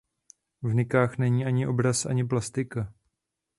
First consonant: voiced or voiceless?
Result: voiced